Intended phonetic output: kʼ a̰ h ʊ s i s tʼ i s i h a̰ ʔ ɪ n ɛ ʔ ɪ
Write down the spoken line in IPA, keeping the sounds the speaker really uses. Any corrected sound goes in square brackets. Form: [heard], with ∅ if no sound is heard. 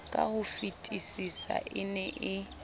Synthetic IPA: kʼ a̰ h ʊ [f] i [∅] tʼ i s i [s] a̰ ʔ ɪ n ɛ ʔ ɪ